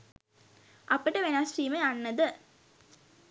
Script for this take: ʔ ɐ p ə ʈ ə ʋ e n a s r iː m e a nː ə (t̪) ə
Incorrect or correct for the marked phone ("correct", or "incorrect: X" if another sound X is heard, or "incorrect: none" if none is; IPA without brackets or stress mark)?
incorrect: d̪